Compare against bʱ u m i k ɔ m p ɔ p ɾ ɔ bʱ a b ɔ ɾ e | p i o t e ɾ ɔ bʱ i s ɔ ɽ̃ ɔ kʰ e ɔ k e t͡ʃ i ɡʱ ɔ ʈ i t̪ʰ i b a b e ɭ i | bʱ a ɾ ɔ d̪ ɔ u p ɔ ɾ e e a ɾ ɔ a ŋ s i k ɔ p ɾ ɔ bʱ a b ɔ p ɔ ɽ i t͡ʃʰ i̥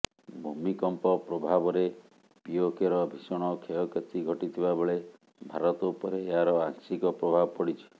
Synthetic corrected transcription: bʱ u m i k ɔ m p ɔ p ɾ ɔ bʱ a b ɔ ɾ e | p i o k e ɾ ɔ bʱ i s ɔ ɽ̃ ɔ kʰ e ɔ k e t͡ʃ i ɡʱ ɔ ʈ i t̪ʰ i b a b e ɭ e | bʱ a ɾ ɔ t̪ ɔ u p ɔ ɾ e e a ɾ ɔ a ŋ s i k ɔ p ɾ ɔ bʱ a b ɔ p ɔ ɽ i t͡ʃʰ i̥